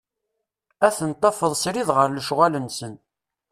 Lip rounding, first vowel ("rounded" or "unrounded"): unrounded